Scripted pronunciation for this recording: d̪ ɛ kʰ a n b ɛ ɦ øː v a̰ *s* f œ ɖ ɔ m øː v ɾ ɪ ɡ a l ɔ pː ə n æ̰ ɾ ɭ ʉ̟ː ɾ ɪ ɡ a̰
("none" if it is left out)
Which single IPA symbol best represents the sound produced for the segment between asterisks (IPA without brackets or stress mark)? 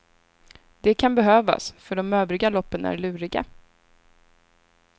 s